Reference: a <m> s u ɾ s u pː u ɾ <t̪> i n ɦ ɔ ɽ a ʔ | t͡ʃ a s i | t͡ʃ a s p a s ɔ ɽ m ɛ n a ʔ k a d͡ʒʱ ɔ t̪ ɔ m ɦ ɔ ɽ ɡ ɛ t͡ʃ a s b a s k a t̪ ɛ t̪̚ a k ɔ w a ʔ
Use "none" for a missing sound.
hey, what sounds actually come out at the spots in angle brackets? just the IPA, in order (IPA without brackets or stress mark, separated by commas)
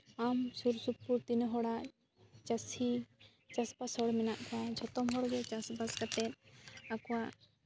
m, t̪